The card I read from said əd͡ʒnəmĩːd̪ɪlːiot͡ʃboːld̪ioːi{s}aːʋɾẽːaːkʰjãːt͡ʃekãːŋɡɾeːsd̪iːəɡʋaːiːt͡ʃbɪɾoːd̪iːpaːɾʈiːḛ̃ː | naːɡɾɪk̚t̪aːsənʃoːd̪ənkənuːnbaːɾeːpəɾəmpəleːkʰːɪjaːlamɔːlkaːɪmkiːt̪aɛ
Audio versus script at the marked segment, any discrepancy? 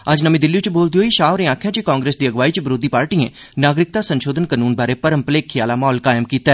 yes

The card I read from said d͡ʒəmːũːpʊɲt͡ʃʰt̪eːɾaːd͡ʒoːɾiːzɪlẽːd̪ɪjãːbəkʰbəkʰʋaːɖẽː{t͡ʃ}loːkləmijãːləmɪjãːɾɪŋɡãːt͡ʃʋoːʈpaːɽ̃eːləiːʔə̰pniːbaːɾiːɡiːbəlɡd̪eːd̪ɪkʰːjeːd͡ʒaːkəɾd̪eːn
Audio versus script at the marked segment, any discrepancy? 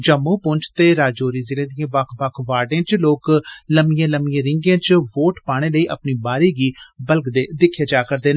no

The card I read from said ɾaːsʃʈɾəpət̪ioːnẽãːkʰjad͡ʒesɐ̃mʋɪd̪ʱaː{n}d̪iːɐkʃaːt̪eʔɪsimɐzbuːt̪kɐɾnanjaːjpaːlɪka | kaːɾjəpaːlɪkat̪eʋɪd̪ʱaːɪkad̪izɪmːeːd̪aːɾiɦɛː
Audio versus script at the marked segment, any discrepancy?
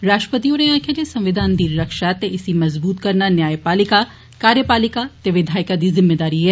no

